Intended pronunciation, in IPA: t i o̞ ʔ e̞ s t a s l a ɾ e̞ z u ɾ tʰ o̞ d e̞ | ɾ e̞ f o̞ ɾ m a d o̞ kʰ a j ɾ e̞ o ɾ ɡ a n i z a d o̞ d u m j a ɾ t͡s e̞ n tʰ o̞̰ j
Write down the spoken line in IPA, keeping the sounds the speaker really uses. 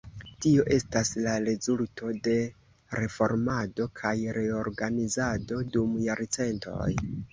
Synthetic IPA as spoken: t i o̞ ʔ e̞ s t a s l a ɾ e̞ z u l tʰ o̞ d e̞ | ɾ e̞ f o̞ ɾ m a d o̞ kʰ a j ɾ e̞ o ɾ ɡ a n i z a d o̞ d u m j a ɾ t͡s e̞ n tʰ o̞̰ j